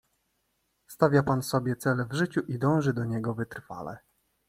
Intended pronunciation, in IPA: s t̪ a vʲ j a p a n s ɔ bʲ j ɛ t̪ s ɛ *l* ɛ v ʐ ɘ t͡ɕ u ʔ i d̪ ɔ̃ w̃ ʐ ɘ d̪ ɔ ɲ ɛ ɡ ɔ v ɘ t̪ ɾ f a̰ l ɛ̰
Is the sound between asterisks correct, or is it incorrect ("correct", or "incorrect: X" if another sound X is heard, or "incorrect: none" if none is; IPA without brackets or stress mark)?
correct